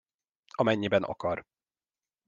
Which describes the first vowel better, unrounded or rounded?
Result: rounded